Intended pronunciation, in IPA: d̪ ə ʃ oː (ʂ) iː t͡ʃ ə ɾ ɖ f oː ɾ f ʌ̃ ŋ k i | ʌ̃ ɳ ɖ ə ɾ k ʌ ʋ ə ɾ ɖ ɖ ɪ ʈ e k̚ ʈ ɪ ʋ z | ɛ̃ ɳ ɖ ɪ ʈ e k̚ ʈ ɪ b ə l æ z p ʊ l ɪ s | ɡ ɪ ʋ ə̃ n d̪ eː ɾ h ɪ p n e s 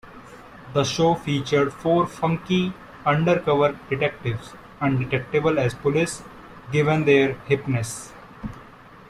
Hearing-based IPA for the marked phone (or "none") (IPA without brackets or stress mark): f